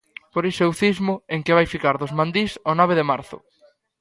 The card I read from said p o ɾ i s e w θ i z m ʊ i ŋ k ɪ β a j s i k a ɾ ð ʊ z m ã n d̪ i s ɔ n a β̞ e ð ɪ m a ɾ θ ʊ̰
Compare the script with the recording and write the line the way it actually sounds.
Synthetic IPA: p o ɾ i s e w θ i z m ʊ e ŋ k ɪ β a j f i k a ɾ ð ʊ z m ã n d̪ i s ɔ n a β̞ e ð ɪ m a ɾ θ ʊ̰